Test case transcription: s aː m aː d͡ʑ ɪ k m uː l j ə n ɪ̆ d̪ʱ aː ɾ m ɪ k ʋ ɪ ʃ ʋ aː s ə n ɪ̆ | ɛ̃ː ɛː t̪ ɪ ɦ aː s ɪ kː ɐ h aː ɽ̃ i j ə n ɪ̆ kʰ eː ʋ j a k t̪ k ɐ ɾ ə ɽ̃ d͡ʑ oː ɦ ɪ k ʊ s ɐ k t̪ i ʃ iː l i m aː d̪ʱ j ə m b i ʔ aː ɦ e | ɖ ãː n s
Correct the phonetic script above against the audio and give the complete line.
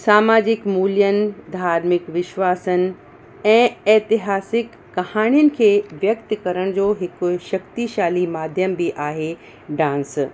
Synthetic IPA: s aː m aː d͡ʑ ɪ k m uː l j ə n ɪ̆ d̪ʱ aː ɾ m ɪ k ʋ ɪ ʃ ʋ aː s ə n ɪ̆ | ɛ̃ː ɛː t̪ ɪ ɦ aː s ɪ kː ɐ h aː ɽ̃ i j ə n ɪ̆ kʰ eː ʋ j ɐ k t̪ k ɐ ɾ ə ɽ̃ d͡ʑ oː ɦ ɪ k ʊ ʃ ɐ k t̪ i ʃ aː l i m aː d̪ʱ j ə m b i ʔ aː ɦ e | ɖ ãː n s